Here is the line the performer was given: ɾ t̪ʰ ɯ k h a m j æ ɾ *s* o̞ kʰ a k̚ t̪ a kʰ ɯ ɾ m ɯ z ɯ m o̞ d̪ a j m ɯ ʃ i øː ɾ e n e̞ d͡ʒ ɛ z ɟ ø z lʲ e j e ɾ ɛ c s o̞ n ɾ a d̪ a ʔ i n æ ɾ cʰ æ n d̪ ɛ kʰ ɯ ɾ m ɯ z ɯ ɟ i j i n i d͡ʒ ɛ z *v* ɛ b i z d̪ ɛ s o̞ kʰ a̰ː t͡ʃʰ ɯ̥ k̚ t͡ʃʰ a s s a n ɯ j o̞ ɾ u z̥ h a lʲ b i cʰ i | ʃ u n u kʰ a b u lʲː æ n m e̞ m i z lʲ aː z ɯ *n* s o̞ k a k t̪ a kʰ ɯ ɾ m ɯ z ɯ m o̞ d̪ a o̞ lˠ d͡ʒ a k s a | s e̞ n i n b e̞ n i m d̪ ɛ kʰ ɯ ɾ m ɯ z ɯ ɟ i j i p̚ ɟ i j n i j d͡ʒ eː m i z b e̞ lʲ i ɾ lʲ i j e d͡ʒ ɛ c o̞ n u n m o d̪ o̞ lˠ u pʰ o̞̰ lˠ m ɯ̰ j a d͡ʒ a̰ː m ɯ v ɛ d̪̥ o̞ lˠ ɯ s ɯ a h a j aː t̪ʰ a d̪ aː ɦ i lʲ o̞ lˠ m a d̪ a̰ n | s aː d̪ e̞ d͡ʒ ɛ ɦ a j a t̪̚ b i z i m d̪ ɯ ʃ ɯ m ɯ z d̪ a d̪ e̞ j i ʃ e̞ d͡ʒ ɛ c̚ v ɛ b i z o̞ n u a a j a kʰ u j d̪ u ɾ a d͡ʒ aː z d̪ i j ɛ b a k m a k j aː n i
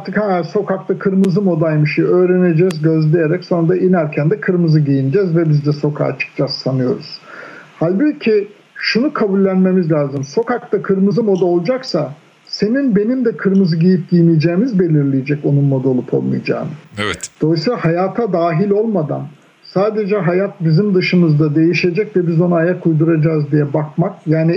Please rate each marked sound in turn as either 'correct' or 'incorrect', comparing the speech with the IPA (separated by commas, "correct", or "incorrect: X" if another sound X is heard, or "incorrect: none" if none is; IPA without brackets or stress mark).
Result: correct, correct, incorrect: m